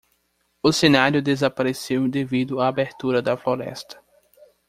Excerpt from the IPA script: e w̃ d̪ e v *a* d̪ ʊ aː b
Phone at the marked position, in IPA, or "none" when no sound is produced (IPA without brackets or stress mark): i